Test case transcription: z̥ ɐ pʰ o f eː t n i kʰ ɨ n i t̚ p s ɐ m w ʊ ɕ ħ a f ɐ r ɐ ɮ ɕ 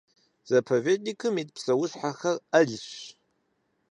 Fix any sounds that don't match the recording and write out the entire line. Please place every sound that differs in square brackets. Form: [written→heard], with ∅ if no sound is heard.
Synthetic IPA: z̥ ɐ pʰ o [f→v] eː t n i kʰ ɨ [n→m] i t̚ p s ɐ [m→∅] w ʊ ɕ ħ a [f→x] ɐ r ɐ ɮ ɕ